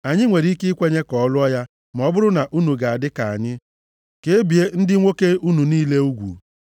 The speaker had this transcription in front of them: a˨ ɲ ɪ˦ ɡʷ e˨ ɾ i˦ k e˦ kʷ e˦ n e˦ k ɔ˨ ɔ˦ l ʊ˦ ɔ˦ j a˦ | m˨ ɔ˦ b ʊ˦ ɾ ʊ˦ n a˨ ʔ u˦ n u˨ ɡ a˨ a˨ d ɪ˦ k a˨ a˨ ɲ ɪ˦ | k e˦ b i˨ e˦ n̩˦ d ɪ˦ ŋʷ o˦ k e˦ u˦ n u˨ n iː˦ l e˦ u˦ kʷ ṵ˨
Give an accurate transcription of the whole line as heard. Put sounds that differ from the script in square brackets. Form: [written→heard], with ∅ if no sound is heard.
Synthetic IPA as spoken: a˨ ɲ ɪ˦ [ɡʷ→ŋʷ] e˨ ɾ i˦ k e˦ kʷ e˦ [n→ɲ] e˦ k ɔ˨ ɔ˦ l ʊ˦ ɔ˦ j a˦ | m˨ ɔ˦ b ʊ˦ ɾ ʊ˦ n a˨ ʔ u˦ n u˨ ɡ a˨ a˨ d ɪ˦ k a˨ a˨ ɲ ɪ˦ | k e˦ b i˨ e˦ n̩˦ d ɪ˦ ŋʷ o˦ k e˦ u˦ n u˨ n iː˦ l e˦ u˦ [kʷ→ɡʷ] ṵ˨